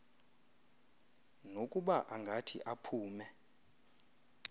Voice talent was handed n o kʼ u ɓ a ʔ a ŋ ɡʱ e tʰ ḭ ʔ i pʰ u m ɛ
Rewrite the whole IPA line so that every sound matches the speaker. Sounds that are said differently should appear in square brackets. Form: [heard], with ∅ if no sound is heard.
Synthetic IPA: n o kʼ u ɓ a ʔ a ŋ ɡʱ [a] tʰ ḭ ʔ [a] pʰ [uː] m ɛ